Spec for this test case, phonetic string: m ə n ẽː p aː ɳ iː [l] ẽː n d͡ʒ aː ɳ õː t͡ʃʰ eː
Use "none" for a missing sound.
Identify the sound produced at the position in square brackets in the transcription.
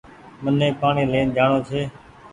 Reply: l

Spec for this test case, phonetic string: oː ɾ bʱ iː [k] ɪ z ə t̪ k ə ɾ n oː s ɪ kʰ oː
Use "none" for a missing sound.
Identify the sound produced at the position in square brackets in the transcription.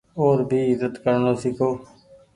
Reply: none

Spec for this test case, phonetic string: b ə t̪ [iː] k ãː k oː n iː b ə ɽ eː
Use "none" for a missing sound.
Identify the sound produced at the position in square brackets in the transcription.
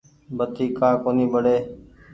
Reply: iː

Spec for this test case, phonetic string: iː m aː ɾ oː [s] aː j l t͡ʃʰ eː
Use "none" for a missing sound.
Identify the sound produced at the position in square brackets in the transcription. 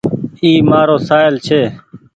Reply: s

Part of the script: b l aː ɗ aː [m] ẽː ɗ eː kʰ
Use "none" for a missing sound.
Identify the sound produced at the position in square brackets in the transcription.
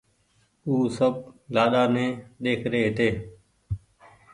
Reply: n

